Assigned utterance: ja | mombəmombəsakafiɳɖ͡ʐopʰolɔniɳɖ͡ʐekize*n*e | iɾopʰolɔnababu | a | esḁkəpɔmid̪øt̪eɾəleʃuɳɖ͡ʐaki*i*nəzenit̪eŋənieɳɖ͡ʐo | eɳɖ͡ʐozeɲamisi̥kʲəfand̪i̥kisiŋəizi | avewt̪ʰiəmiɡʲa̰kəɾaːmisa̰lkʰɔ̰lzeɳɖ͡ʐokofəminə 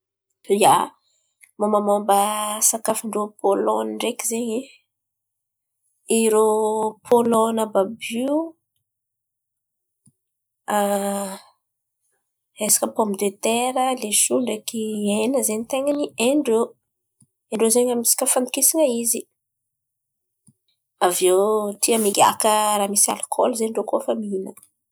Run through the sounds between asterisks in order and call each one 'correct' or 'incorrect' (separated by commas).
incorrect, incorrect